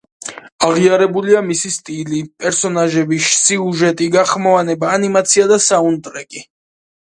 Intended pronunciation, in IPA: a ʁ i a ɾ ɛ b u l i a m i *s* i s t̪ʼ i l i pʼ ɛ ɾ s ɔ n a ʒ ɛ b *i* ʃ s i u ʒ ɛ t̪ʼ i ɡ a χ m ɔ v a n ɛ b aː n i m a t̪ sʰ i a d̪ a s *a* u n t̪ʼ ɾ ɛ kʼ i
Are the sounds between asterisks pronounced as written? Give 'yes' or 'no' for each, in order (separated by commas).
yes, yes, yes